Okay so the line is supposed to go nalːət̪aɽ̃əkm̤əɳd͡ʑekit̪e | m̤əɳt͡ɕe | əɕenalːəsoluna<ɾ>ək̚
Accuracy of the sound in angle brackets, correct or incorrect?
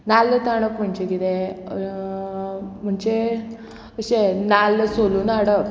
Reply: incorrect